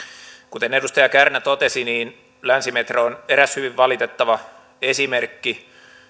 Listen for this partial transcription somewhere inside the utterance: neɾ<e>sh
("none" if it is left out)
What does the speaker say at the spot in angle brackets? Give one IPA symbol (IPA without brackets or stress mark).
æ